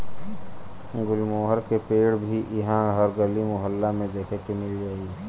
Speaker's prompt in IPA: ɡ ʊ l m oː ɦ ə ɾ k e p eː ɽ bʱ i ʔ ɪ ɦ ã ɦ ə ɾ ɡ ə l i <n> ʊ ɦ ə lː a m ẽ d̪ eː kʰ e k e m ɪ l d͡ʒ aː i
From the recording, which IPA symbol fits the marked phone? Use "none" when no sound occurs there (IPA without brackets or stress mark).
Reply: m